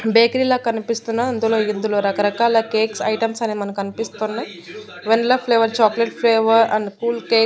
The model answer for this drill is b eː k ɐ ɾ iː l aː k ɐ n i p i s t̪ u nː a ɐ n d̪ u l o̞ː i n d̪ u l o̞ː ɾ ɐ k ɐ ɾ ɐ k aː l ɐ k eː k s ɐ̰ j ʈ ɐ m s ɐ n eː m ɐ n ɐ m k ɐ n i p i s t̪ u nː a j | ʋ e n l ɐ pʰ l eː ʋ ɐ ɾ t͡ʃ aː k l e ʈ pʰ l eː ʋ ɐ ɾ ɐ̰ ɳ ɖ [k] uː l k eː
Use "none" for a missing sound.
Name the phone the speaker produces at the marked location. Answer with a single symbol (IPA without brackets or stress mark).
k